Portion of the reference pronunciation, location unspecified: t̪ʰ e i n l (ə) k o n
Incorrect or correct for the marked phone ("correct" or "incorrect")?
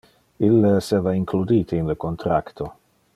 correct